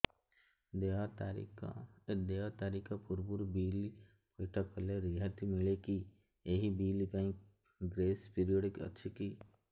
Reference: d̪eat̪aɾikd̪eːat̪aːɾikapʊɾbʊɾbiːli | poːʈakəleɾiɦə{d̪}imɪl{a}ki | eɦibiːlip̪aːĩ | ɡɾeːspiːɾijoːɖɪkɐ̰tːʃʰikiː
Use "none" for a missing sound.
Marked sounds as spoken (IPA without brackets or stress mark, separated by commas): t̪, e